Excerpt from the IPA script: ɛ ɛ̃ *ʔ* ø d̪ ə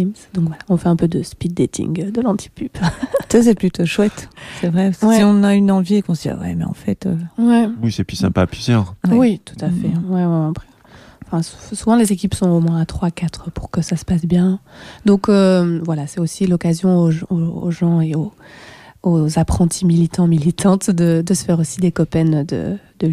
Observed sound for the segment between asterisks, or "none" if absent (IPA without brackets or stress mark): p